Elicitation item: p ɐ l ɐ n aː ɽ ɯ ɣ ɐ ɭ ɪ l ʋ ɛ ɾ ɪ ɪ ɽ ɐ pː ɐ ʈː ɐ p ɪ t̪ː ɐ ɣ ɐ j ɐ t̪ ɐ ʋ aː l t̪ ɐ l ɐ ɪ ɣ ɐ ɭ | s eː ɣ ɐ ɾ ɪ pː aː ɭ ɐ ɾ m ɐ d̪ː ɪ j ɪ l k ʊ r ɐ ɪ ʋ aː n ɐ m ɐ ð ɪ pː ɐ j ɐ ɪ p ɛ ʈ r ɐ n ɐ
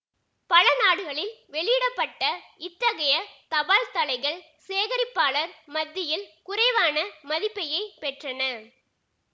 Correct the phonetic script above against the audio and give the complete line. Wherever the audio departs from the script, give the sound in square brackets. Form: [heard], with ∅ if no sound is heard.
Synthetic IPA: p ɐ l ɐ n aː ɽ ɯ ɣ ɐ ɭ ɪ l ʋ ɛ [ɭ] ɪ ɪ ɽ ɐ pː ɐ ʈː ɐ [∅] ɪ t̪ː ɐ ɣ ɐ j ɐ t̪ ɐ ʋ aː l t̪ ɐ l ɐ ɪ ɣ ɐ ɭ | s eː ɣ ɐ ɾ ɪ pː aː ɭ ɐ ɾ m ɐ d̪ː ɪ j ɪ l k ʊ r ɐ ɪ ʋ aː n ɐ m ɐ ð ɪ pː ɐ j ɐ ɪ p ɛ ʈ r ɐ n ɐ